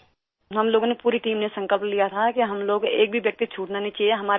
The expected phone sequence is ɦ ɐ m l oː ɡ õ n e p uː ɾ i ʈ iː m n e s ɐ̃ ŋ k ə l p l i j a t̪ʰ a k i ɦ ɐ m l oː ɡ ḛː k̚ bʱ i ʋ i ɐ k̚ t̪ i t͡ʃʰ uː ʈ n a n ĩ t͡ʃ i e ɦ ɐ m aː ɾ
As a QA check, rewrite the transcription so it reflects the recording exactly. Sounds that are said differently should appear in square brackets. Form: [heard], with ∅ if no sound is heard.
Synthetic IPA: ɦ ɐ m l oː ɡ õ n e p uː ɾ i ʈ iː m n e s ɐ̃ ŋ k ə l p l i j a t̪ʰ a k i ɦ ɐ m l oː ɡ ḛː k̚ bʱ i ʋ [j] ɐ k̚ t̪ i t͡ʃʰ uː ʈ n a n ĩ t͡ʃ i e ɦ ɐ m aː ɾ